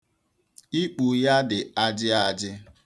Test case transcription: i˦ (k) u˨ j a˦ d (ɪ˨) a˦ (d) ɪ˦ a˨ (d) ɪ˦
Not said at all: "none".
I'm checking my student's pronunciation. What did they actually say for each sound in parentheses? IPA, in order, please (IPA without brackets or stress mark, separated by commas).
k͡p, ɪ˨, d͡ʒ, d͡ʒ